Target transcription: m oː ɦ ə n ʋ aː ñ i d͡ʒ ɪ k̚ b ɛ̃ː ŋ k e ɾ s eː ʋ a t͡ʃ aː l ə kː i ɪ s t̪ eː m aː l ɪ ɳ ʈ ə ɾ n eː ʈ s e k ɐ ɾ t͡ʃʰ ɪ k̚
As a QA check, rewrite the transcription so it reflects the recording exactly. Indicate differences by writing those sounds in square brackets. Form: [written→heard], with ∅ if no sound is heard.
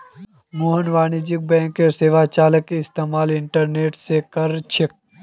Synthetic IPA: m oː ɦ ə n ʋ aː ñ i d͡ʒ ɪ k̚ b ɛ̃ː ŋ k e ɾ s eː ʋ a t͡ʃ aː l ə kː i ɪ s t̪ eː m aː l ɪ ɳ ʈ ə ɾ n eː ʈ s e k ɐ ɾ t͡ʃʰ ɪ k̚